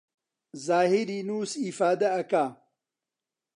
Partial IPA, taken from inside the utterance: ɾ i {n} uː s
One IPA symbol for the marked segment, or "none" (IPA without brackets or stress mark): n